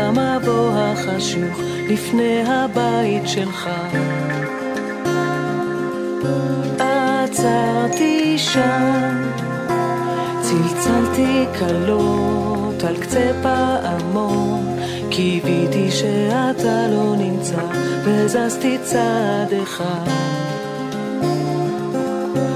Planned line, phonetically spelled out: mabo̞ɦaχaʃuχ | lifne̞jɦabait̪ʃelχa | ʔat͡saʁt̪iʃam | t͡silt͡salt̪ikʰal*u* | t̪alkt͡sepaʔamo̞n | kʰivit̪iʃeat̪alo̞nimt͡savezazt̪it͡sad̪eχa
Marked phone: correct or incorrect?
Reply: incorrect